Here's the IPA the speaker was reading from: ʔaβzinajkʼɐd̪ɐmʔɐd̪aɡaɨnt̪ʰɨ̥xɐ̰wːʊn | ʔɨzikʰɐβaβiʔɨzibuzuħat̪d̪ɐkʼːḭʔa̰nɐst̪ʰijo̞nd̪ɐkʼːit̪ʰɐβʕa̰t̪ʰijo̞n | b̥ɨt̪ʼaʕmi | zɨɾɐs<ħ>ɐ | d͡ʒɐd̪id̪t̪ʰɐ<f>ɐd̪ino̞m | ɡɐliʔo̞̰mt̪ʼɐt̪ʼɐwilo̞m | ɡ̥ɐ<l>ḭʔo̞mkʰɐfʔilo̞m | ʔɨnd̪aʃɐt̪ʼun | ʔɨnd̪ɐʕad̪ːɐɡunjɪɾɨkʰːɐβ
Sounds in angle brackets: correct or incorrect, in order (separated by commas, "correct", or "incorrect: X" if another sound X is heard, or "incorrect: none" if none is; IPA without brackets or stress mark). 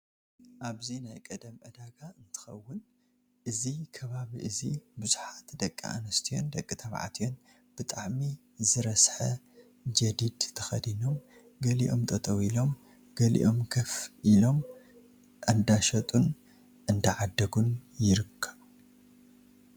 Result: correct, incorrect: x, correct